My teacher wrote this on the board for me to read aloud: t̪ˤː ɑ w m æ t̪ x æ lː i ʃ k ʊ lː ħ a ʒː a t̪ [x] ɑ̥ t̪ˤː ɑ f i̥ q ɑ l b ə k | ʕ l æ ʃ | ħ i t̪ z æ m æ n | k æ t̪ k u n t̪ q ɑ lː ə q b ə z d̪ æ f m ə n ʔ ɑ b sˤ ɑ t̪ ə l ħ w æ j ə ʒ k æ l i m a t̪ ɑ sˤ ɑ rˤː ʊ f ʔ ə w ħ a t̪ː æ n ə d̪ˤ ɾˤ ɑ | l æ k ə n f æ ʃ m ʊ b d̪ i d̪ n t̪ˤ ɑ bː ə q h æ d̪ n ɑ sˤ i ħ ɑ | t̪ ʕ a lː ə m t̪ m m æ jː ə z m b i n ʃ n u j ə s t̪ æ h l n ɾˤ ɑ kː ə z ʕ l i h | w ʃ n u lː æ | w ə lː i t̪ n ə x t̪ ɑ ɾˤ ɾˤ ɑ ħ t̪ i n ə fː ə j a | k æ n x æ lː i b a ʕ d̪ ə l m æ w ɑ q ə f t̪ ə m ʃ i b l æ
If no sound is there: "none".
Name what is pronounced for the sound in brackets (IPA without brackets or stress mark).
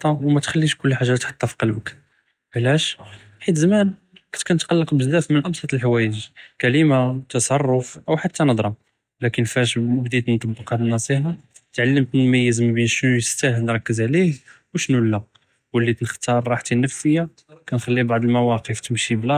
ħ